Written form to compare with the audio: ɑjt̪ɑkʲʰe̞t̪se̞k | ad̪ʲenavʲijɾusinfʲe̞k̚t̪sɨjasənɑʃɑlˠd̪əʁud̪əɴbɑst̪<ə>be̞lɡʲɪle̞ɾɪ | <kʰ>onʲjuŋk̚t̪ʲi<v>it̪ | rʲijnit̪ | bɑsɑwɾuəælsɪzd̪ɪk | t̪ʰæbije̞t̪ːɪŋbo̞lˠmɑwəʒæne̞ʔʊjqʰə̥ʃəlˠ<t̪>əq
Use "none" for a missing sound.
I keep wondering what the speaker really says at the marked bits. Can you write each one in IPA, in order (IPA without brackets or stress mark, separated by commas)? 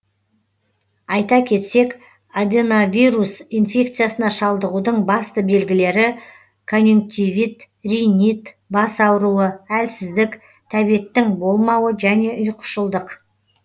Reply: ə, kʰ, v, d̪